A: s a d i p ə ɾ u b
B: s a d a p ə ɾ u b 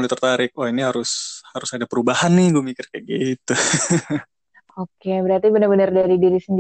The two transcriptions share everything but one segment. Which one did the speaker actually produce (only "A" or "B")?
B